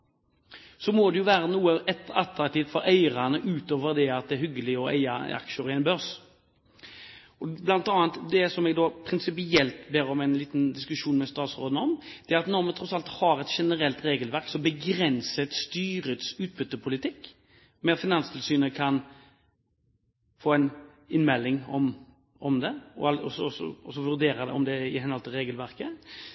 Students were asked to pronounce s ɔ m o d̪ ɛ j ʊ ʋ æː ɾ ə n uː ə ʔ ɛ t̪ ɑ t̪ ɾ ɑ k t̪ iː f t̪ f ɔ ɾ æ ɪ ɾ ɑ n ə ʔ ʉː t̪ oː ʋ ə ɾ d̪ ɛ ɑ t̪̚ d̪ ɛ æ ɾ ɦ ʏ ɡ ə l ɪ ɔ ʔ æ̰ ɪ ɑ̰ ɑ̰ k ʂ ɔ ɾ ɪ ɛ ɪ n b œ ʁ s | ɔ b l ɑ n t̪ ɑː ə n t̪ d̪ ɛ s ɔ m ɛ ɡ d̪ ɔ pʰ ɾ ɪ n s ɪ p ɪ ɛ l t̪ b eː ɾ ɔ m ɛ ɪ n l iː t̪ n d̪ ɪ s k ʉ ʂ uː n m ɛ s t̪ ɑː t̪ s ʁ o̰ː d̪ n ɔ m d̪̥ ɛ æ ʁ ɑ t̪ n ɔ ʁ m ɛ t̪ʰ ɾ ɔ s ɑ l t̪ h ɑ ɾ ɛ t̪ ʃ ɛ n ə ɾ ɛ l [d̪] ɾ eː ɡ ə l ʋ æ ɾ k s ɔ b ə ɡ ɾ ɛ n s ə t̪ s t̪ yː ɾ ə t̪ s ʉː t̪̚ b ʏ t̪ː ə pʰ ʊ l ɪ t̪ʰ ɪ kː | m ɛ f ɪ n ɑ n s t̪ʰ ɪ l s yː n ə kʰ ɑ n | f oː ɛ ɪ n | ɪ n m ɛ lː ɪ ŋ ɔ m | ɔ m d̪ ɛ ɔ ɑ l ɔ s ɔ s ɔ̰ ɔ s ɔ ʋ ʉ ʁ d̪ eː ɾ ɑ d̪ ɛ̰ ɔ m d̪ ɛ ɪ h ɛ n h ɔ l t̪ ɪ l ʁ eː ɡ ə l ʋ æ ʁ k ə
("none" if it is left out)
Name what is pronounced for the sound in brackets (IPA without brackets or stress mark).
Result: t̪